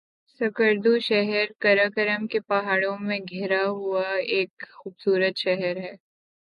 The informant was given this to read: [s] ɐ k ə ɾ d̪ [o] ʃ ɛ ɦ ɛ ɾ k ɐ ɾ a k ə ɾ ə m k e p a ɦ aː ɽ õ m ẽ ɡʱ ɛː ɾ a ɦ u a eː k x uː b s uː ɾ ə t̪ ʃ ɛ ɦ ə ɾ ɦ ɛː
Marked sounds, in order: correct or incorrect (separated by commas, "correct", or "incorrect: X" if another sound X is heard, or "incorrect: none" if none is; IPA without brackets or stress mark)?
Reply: correct, incorrect: u